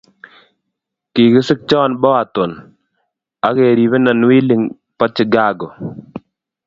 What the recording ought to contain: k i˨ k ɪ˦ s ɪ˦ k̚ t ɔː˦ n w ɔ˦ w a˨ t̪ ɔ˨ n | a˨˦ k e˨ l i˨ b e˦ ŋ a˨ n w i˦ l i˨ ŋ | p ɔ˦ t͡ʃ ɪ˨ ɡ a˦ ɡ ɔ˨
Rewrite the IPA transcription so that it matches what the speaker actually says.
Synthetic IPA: k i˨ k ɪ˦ s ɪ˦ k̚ t͡ʃ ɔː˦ n b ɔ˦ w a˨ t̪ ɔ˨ n | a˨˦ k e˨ ɾ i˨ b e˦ n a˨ n w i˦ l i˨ ŋ | p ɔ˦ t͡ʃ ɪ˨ ɡ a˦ ɡ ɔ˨